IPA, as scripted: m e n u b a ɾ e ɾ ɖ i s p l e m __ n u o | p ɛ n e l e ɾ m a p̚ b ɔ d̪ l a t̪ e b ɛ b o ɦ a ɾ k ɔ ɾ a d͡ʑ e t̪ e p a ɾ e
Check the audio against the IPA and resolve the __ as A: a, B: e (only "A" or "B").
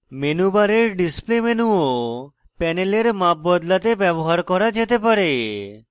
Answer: B